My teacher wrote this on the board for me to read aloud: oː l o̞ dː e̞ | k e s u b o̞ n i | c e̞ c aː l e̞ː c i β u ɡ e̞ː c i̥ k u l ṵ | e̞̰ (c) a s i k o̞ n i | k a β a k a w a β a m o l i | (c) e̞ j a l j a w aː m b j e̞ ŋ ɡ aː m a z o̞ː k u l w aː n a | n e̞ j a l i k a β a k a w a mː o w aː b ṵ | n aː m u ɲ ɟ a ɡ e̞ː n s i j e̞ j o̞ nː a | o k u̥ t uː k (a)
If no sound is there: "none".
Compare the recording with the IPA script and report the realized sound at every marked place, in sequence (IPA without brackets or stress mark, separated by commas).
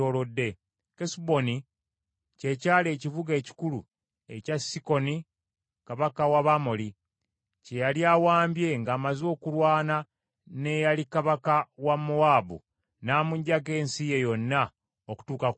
c, c, a